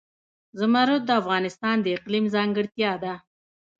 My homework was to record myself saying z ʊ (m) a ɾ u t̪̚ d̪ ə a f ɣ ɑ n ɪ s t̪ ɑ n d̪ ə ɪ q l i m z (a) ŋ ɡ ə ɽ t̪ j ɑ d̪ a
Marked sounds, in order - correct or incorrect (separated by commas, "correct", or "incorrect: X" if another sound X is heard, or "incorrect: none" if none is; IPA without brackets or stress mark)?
correct, incorrect: ɑ